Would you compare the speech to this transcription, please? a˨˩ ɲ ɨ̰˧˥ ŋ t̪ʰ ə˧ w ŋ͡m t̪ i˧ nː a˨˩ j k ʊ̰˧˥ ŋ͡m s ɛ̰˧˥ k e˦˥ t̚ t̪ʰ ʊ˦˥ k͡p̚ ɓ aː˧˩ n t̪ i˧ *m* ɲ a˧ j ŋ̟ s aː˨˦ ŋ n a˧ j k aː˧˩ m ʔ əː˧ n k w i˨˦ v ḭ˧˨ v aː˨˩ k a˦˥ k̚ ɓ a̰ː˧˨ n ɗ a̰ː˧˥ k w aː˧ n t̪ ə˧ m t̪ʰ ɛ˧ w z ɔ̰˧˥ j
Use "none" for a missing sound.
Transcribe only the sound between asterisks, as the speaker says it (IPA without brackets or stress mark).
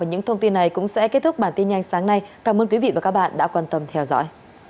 n